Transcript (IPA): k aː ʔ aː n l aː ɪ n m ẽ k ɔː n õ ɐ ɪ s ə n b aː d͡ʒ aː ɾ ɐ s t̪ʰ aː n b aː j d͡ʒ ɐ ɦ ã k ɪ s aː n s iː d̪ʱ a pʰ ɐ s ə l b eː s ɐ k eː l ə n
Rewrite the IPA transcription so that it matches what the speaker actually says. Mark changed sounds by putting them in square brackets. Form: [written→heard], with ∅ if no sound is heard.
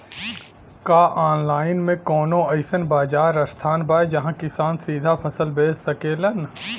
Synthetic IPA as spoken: k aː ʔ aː n l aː ɪ n m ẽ k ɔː n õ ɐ ɪ s ə n b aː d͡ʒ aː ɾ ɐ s t̪ʰ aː n b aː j d͡ʒ ɐ ɦ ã k ɪ s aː n s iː d̪ʱ a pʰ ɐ s ə l b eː s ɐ k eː l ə n